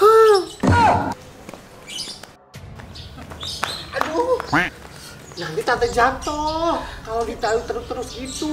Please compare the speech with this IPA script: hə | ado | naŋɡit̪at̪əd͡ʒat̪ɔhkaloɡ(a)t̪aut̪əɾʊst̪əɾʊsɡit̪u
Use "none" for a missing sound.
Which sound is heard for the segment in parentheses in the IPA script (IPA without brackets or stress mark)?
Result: i